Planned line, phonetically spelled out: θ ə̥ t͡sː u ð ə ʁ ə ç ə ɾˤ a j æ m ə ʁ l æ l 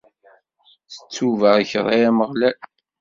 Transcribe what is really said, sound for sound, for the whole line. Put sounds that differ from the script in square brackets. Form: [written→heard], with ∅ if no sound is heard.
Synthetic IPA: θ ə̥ t͡sː u [ð→v] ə ʁ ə ç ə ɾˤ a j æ m ə ʁ l æ l